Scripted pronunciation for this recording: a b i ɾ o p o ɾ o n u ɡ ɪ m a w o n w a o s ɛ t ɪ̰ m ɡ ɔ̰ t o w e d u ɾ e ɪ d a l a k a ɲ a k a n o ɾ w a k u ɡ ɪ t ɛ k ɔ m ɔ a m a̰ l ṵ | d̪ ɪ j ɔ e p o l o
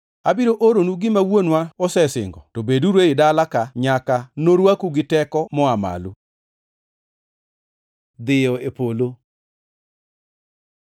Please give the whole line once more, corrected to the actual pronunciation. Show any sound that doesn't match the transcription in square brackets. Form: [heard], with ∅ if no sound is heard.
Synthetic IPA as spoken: a b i ɾ o [ʔ] o ɾ o n u ɡ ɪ m a w o n w a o s ɛ [s] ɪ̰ [ŋ] ɡ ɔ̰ t o [b] e d u ɾ e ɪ d a l a k a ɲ a k a n o ɾ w a k u ɡ ɪ t ɛ k ɔ m ɔ a m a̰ l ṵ | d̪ ɪ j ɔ e p o l o